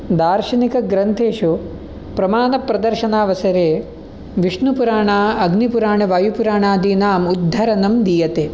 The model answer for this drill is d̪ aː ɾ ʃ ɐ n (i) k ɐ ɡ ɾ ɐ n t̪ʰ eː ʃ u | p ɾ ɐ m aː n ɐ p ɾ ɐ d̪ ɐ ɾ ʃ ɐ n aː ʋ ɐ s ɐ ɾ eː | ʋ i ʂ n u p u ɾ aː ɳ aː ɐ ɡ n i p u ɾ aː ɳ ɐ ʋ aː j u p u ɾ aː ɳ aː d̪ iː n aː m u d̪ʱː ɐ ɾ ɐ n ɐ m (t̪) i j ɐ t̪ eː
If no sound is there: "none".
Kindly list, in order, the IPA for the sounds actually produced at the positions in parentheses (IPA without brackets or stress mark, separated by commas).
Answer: i, d̪